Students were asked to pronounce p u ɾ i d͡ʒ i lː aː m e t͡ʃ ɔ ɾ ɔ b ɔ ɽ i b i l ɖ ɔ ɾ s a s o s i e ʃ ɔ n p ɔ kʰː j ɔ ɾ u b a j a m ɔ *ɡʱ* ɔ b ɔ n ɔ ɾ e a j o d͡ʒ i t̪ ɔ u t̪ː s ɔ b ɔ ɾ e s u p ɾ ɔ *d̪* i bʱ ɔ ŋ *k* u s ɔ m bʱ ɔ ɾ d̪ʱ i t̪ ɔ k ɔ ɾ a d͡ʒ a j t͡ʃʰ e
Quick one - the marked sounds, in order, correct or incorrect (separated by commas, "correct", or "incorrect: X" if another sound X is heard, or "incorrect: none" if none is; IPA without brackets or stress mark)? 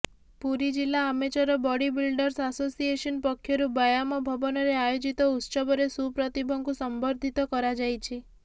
incorrect: bʱ, incorrect: t̪, incorrect: ɡ